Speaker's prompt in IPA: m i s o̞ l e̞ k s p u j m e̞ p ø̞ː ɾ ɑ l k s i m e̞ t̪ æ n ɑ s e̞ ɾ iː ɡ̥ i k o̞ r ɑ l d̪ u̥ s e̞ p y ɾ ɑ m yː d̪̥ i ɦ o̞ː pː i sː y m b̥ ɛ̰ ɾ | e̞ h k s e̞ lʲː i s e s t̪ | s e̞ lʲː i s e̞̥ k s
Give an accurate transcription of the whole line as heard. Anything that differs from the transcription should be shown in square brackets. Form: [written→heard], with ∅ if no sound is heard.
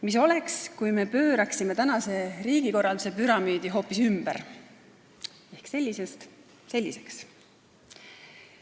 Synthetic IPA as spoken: m i s o̞ l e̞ k s [p→k] u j m e̞ p ø̞ː ɾ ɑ [l→∅] k s i m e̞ t̪ æ n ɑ s e̞ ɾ iː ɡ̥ i k o̞ r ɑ l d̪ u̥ s e̞ p y ɾ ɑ m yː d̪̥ i ɦ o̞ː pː i [sː→s] y m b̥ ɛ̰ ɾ | e̞ h k s e̞ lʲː i s e s t̪ | s e̞ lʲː i s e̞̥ k s

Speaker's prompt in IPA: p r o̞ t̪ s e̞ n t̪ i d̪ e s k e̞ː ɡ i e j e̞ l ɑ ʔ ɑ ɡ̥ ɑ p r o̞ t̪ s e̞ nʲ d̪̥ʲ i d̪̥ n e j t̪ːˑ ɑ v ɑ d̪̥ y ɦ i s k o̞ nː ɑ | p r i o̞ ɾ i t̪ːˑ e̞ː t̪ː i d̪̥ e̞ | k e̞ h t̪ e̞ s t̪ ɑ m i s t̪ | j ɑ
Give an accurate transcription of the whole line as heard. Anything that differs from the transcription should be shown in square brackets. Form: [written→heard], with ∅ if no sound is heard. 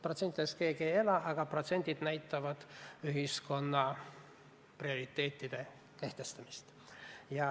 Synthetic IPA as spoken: p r o̞ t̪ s e̞ n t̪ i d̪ e s k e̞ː ɡ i e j e̞ l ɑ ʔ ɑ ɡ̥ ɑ p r o̞ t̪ s e̞ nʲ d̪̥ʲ i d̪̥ n [e→æ] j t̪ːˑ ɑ v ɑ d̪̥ y ɦ i s k o̞ nː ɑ | p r i o̞ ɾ i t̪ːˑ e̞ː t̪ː i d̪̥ e̞ | k e̞ h t̪ e̞ s t̪ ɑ m i s t̪ | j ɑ

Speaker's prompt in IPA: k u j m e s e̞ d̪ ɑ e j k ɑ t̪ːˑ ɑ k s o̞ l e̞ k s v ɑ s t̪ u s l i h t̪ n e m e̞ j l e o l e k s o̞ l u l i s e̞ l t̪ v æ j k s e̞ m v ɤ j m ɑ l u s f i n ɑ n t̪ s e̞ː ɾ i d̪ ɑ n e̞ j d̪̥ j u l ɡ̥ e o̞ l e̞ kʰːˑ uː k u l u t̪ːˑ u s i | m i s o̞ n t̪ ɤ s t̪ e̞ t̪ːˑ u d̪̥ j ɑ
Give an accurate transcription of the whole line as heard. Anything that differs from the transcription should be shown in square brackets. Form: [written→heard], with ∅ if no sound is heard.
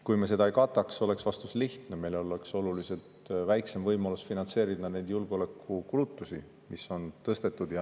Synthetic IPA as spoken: k u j m e s e̞ d̪ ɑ e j k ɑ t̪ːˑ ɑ k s o̞ l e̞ k s v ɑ s t̪ u s l i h t̪ n e m e̞ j l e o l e k s o̞ l u l i s e̞ l t̪ v æ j k s e̞ m v ɤ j m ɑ l u s f i n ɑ n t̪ s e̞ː ɾ i d̪ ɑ n e̞ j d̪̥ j u l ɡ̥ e o̞ l e̞ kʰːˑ [uː→u] k u l u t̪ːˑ u s i | m i s o̞ n t̪ ɤ s t̪ e̞ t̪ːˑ u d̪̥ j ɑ

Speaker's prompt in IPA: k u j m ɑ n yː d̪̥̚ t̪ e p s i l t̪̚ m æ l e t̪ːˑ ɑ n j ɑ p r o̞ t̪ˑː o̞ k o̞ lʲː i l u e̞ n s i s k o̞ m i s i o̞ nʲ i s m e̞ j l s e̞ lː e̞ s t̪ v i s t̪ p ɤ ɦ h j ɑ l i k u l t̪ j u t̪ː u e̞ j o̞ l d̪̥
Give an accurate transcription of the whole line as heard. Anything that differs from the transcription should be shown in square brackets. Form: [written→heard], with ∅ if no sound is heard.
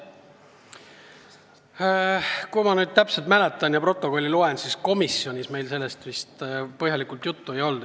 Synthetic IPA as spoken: k u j m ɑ n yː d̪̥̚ t̪ [e→æ] p s [i→e] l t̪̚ m æ l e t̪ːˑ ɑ n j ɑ p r o̞ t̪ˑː o̞ k o̞ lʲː i l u e̞ n s i s k o̞ m i s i o̞ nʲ i s m e̞ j l s e̞ lː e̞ s t̪ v i s t̪ p ɤ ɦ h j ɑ l i k u l t̪ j u t̪ː u e̞ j o̞ l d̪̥

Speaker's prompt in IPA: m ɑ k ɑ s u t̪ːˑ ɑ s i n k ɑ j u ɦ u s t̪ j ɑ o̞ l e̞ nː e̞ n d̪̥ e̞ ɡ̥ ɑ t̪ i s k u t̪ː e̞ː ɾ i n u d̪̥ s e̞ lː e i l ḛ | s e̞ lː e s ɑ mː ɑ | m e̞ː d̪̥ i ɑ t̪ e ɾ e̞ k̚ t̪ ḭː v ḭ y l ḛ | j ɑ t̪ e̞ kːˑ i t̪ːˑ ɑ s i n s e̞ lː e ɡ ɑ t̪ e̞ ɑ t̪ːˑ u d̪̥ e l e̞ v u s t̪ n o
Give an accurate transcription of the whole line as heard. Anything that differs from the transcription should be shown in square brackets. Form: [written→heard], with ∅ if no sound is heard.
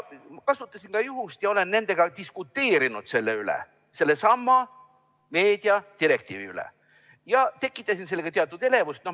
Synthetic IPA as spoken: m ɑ k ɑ s u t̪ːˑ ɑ s i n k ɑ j u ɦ u s t̪ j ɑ o̞ l e̞ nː e̞ n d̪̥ e̞ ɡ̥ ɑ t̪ i s k u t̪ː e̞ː ɾ i n u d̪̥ s e̞ lː e [i→y] l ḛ | s e̞ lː e s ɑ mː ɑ | m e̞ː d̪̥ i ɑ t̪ [e→i] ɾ e̞ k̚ t̪ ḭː v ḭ y l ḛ | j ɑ t̪ e̞ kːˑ i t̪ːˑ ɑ s i n s e̞ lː e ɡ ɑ t̪ e̞ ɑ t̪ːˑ u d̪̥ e l e̞ v u s t̪ n o

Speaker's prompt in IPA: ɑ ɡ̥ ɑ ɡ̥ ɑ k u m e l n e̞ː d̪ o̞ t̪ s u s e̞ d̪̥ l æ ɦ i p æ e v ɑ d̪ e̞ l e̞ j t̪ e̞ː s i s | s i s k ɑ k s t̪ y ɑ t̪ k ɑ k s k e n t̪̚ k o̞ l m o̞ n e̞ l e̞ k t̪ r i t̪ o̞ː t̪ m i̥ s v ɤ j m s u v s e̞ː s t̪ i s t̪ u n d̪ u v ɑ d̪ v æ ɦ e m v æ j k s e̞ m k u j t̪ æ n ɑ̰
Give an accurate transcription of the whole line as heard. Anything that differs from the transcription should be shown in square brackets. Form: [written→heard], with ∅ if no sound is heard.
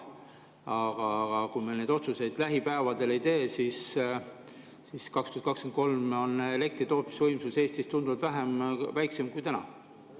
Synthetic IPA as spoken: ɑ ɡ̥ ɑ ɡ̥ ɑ k u m e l n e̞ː d̪ o̞ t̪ s u s e̞ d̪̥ l æ ɦ i p æ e v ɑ d̪ e̞ l e̞ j t̪ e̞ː s i s | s i s k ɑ k s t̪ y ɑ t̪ k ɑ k s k e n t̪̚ k o̞ l m o̞ n e̞ l e̞ k t̪ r i t̪ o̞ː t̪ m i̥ s v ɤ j m s u [v→∅] s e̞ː s t̪ i s t̪ u n d̪ u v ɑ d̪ v æ ɦ e m v æ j k s e̞ m k u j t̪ æ n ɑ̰

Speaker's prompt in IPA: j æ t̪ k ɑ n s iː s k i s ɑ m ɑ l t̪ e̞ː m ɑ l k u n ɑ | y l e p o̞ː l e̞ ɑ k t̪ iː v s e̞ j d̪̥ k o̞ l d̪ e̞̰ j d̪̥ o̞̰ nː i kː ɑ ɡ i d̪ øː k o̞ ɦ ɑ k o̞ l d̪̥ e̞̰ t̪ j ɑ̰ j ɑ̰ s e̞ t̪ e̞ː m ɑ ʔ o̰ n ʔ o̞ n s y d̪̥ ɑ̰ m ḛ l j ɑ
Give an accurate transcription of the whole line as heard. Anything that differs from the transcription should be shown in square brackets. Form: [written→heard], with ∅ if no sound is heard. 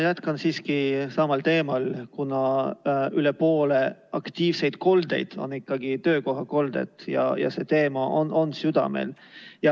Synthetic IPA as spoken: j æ t̪ k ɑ n s iː s k i s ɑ m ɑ l t̪ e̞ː m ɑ l k u n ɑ | y l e p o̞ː l e̞ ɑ k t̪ iː v s e̞ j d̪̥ k o̞ l d̪ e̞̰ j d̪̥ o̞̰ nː i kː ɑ ɡ i [d̪→t̪] øː k o̞ ɦ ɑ k o̞ l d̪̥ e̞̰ t̪ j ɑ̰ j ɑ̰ s e̞ t̪ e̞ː m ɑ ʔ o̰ n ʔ o̞ n s y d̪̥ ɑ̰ m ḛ l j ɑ

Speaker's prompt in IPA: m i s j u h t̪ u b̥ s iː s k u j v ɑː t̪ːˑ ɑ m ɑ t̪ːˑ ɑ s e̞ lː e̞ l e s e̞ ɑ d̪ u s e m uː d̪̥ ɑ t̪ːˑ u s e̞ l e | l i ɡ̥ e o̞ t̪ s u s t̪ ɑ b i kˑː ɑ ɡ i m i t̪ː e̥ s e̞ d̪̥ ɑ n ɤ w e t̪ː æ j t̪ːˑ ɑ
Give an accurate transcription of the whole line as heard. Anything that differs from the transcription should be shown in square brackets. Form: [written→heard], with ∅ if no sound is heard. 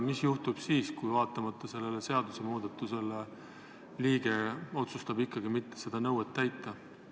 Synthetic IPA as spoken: m i s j u h t̪ u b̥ s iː s k u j v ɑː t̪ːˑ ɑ m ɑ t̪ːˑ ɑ s e̞ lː e̞ l e s e̞ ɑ d̪ u s e m uː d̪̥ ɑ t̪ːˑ u s e̞ l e | l [i→iː] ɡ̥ e o̞ t̪ s u s t̪ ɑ b i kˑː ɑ ɡ i m i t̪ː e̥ s e̞ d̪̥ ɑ n ɤ w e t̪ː æ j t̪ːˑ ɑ

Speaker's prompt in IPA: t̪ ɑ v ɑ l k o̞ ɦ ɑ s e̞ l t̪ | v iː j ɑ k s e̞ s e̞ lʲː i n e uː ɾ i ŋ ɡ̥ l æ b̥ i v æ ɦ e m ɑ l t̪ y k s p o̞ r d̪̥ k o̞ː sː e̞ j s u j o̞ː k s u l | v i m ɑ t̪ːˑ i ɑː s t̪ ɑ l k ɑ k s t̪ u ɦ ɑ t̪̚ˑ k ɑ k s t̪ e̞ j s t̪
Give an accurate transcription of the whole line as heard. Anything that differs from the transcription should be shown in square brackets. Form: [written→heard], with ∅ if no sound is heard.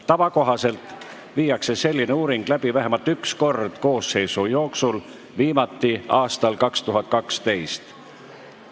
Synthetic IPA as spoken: t̪ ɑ v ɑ [l→∅] k o̞ ɦ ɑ s e̞ l t̪ | v iː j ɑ k s e̞ s e̞ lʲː i n e uː ɾ i ŋ ɡ̥ l æ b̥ i v æ ɦ e m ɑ l t̪ y k s [p→k] o̞ r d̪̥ k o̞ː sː e̞ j s u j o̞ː k s u l | v [i→iː] m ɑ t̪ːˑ i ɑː s t̪ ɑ l k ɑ k s t̪ u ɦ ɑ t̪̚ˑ k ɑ k s t̪ e̞ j s t̪

